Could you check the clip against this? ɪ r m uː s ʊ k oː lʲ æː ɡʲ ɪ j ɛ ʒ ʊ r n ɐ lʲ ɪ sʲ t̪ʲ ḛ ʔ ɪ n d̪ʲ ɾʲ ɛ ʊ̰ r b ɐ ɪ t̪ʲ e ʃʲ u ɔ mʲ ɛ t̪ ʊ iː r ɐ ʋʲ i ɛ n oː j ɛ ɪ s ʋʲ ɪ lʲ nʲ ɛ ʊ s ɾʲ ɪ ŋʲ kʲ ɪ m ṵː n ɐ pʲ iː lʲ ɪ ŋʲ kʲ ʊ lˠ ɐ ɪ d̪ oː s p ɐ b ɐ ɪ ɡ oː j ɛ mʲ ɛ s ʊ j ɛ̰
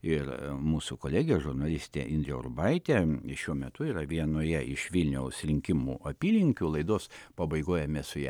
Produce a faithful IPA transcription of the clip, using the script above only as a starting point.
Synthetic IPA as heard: ɪ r m uː s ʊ k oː lʲ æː ɡʲ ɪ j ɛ ʒ ʊ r n ɐ lʲ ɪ sʲ t̪ʲ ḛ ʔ ɪ n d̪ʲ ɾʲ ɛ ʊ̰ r b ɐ ɪ t̪ʲ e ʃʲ u ɔ mʲ ɛ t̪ ʊ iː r ɐ ʋʲ i ɛ n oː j ɛ ɪ ʃ ʋʲ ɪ lʲ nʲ ɛ ʊ s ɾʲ ɪ ŋʲ kʲ ɪ m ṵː ɐ pʲ iː lʲ ɪ ŋʲ kʲ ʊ lˠ ɐ ɪ d̪ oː s p ɐ b ɐ ɪ ɡ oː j ɛ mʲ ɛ s ʊ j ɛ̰